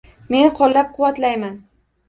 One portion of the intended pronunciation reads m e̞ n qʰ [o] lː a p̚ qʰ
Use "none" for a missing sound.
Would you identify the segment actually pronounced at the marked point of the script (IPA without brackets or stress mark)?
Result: ɒ